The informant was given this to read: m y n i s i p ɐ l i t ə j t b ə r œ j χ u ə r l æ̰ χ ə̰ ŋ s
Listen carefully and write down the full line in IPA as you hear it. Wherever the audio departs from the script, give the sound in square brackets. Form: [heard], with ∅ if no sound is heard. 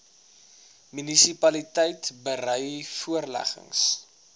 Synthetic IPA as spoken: m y n i s i p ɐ l i t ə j t b ə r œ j [f] u ə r l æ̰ χ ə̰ ŋ s